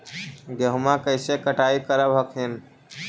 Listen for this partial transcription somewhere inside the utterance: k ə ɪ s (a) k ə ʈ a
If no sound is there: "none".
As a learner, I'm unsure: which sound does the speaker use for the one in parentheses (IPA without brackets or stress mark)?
e